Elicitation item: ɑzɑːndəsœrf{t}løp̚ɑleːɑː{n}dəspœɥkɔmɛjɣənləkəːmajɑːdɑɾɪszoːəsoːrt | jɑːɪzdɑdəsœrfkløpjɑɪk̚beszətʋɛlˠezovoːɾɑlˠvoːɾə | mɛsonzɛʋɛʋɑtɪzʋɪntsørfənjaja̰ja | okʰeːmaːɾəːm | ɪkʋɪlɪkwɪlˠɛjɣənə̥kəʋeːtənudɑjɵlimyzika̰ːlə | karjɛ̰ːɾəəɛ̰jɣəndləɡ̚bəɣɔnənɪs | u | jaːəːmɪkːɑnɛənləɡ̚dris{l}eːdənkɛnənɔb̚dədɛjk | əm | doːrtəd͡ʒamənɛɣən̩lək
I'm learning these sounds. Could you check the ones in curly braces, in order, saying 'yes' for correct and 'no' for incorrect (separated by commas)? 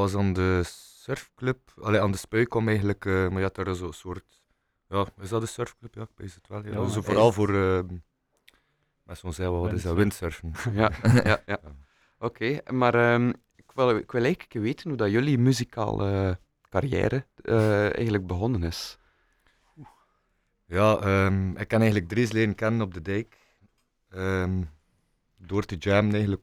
no, yes, yes